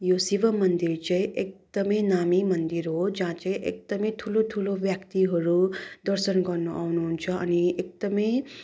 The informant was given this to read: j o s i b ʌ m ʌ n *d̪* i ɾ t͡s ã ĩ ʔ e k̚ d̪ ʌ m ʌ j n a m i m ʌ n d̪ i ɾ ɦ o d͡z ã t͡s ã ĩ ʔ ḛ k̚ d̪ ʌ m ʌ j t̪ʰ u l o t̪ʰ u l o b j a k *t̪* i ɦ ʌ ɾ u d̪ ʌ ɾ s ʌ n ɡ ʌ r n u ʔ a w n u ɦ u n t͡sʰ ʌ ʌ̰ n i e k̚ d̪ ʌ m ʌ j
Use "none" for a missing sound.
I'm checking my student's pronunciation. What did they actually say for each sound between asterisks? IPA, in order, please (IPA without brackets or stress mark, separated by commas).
d̪, t̪